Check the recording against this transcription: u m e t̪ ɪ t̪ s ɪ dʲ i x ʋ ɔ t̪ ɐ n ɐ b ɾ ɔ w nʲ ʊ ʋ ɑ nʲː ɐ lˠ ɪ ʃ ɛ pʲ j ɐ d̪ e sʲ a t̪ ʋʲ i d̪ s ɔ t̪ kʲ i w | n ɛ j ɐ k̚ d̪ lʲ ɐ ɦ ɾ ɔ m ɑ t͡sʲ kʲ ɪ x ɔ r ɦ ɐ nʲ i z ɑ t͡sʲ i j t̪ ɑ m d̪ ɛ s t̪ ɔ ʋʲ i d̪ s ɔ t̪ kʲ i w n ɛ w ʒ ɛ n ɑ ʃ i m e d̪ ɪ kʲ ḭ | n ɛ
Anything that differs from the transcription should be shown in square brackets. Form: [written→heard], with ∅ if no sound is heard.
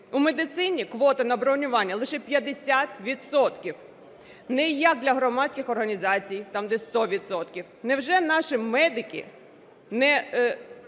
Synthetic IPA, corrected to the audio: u m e [t̪→d̪] ɪ t̪ s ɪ [dʲ→nʲ] i [x→k] ʋ ɔ t̪ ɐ n ɐ b ɾ ɔ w nʲ ʊ ʋ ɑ nʲː ɐ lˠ ɪ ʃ ɛ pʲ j ɐ d̪ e sʲ a t̪ ʋʲ i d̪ s ɔ t̪ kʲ i w | n ɛ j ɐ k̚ d̪ lʲ ɐ ɦ ɾ ɔ m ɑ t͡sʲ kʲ ɪ x ɔ r ɦ ɐ nʲ i z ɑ t͡sʲ i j t̪ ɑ m d̪ ɛ s t̪ ɔ ʋʲ i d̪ s ɔ t̪ kʲ i w n ɛ w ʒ ɛ n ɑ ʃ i m [e→ɛ] d̪ ɪ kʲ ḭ | n ɛ